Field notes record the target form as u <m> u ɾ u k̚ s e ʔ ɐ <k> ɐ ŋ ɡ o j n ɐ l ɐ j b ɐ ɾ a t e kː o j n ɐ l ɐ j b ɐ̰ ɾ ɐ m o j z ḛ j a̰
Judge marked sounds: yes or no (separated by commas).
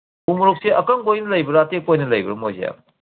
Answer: yes, yes